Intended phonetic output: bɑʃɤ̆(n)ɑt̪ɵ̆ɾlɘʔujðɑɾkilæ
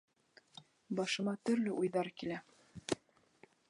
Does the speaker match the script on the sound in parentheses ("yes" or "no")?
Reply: no